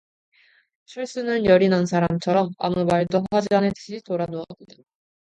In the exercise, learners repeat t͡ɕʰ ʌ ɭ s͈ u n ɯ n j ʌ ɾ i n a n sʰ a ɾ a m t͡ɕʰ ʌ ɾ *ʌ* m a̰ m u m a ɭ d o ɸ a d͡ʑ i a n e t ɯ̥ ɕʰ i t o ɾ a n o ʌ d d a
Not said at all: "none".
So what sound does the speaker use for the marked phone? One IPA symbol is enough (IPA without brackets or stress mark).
ʌ